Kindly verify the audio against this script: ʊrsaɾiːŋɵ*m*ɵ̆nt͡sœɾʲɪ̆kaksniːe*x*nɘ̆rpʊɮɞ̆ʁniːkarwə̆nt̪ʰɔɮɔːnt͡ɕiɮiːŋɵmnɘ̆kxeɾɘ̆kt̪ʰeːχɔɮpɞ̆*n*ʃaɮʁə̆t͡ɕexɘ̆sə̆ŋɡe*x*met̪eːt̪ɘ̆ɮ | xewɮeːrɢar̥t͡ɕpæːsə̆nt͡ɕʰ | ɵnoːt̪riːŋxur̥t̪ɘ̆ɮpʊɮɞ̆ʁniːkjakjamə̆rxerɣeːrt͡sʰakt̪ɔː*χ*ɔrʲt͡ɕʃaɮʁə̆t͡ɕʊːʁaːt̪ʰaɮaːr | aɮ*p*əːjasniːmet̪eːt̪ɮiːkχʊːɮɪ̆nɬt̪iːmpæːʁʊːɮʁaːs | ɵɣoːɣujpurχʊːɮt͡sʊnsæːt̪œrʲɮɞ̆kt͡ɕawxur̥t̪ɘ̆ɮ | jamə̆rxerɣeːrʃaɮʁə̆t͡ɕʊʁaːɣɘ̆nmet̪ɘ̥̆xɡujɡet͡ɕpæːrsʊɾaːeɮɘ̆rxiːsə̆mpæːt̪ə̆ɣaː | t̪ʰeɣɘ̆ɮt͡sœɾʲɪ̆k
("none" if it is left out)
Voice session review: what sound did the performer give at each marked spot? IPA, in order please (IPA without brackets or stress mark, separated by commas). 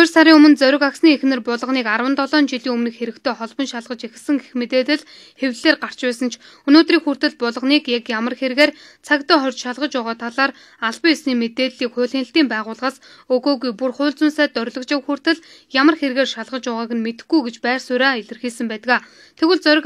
m, x, n, x, χ, p